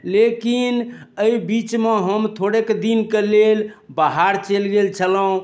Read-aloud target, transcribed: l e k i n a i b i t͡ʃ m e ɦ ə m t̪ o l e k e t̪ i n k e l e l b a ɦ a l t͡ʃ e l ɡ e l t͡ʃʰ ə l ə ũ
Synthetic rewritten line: l e k i n ə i b i t͡ʃ m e ɦ ə m t̪ʰ o ɽ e k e d̪ i n k e l e l b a ɦ a ɾ t͡ʃ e l ɡ e l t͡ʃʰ ə l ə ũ